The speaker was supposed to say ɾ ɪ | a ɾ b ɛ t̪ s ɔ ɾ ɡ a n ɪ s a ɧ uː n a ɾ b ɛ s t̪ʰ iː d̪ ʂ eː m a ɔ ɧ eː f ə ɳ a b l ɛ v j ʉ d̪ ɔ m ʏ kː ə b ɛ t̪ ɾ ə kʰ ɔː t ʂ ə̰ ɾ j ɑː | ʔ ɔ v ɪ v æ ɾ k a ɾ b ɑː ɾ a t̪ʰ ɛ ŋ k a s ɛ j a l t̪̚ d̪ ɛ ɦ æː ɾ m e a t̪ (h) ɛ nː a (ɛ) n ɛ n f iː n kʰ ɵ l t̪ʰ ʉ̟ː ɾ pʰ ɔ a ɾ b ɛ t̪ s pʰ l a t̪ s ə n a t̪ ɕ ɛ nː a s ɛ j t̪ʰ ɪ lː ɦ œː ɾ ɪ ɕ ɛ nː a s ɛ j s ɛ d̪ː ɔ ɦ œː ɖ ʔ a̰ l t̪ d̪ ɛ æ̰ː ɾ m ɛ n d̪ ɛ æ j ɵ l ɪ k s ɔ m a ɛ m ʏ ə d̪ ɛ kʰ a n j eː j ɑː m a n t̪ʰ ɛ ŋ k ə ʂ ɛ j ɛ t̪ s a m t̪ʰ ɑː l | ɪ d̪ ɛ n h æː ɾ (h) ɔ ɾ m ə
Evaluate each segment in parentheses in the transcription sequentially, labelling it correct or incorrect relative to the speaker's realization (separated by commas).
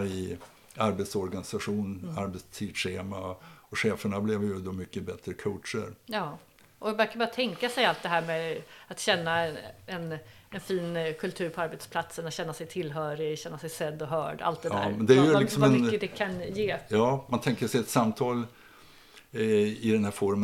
incorrect, correct, incorrect